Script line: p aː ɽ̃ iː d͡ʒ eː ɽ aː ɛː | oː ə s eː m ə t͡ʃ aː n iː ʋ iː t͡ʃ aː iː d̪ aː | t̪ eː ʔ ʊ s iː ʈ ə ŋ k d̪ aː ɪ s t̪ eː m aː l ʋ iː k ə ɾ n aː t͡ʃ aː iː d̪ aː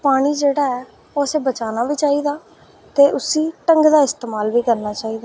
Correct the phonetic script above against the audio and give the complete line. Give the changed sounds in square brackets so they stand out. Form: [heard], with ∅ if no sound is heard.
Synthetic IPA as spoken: p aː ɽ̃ iː d͡ʒ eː ɽ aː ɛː | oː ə s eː [b] ə t͡ʃ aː n [aː] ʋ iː t͡ʃ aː iː d̪ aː | t̪ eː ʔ ʊ s iː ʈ ə ŋ [ɡ] d̪ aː ɪ s t̪ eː m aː l ʋ iː k ə ɾ n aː t͡ʃ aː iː d̪ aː